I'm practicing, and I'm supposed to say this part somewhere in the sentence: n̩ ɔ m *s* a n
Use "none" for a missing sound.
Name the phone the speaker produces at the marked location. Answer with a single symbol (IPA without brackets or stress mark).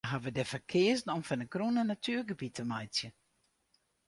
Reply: f